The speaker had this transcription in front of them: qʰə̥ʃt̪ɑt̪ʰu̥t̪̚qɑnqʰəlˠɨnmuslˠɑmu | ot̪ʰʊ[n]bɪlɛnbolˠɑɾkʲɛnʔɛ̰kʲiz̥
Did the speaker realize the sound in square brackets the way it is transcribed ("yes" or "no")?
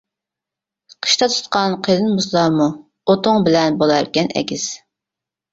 no